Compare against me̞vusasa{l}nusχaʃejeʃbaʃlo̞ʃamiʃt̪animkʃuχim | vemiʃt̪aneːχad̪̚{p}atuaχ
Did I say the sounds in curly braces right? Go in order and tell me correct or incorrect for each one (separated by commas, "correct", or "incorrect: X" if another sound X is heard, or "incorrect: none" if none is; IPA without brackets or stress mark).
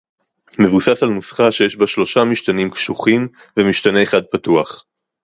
correct, correct